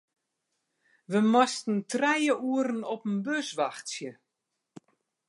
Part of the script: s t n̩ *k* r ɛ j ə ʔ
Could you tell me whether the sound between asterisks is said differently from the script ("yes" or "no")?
yes